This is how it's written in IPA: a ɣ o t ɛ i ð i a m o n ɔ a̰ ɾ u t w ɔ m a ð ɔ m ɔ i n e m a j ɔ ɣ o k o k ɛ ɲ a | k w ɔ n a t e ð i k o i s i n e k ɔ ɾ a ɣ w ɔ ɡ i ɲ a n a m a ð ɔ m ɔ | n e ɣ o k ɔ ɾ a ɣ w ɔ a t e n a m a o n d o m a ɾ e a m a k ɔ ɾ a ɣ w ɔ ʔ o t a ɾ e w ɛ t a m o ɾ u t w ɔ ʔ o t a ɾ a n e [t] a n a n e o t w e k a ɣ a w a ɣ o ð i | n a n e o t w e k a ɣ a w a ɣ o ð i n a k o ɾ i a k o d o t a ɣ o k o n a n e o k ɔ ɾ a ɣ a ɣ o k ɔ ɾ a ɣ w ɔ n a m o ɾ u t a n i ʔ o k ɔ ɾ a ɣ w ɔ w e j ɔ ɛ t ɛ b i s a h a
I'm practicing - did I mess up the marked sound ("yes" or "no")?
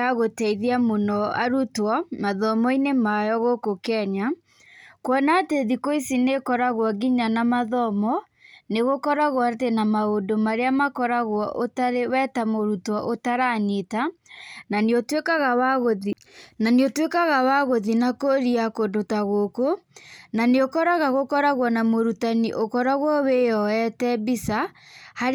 no